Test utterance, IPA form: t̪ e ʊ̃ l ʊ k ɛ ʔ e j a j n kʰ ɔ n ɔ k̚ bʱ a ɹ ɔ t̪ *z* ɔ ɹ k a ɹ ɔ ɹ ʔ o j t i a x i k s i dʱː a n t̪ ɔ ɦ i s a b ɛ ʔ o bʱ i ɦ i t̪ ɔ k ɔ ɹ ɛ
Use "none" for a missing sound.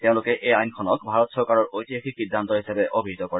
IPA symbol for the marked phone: s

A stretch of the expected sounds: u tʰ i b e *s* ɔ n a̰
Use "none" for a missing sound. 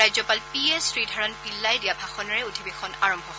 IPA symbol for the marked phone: x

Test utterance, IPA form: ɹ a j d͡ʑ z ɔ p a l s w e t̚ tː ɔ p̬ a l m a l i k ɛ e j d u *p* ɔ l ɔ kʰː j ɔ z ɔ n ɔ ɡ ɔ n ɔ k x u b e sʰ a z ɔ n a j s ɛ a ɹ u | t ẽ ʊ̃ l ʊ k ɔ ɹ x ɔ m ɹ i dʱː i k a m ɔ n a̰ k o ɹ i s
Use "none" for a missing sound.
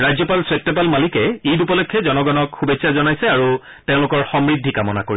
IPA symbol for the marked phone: p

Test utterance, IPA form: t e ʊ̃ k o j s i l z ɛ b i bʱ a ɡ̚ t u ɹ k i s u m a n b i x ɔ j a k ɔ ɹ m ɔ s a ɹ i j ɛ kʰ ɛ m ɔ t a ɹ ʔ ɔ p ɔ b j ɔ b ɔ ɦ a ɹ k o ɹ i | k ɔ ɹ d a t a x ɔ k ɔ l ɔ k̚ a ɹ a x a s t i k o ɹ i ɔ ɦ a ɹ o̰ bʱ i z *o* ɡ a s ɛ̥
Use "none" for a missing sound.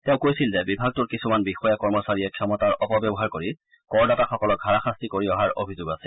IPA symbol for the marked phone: o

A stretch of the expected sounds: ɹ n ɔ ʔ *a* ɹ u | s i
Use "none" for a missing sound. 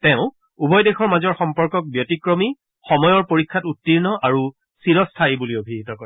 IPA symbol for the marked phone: a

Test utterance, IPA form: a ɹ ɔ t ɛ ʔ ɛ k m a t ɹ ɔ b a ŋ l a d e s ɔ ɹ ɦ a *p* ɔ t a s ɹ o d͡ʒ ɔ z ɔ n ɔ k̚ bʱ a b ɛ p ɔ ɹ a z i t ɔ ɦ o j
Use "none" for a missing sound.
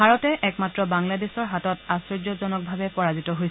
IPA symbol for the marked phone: t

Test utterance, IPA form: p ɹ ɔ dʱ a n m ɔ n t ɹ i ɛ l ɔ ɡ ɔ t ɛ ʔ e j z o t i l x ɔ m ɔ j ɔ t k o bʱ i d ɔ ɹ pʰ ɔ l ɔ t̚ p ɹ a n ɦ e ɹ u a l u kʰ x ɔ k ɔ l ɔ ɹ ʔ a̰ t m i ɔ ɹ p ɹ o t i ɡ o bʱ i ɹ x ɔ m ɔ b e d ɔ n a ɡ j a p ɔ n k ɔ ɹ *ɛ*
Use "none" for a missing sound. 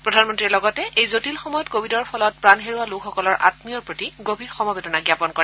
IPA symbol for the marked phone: ɛ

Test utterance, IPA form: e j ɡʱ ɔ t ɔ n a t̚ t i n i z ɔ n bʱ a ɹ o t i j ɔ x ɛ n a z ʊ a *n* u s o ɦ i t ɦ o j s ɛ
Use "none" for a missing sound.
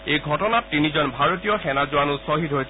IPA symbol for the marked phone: n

